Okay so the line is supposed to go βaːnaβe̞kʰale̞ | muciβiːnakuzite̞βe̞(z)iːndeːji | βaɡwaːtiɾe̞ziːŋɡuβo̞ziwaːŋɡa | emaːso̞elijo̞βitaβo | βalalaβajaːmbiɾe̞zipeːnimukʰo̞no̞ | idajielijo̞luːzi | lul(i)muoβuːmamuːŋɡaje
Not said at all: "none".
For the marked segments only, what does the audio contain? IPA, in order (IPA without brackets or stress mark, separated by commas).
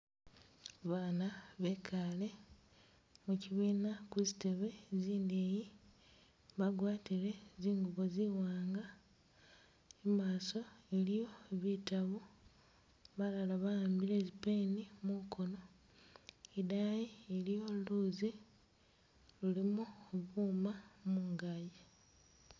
z, i